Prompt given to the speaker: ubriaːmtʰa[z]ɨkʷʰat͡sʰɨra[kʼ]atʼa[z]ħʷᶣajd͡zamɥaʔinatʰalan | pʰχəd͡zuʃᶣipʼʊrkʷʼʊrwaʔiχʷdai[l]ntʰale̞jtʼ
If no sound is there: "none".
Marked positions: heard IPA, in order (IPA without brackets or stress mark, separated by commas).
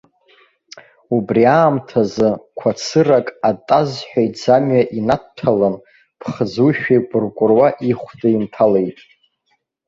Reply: z, kʼ, z, none